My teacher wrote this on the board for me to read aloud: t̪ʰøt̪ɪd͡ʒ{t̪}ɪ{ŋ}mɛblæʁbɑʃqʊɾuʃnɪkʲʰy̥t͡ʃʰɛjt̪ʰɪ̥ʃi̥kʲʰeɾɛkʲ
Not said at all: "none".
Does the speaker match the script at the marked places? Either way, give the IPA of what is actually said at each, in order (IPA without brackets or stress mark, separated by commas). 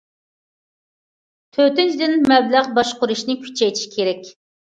d̪, n